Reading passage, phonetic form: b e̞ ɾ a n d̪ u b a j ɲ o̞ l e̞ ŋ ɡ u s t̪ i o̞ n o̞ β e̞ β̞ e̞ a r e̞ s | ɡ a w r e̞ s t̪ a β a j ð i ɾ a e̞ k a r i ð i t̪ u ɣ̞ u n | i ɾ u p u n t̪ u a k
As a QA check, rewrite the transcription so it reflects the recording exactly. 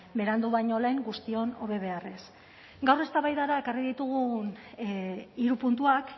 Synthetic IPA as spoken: b e̞ ɾ a n d̪ u β a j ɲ o̞ l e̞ ŋ ɡ u s t̪ i o̞ n o̞ β e̞ β̞ e̞ a r e̞ s | ɡ a w r e̞ s t̪ a β a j ð a ɾ a e̞ k a r i ð i t̪ u ɣ̞ u n | i ɾ u p u n t̪ u a k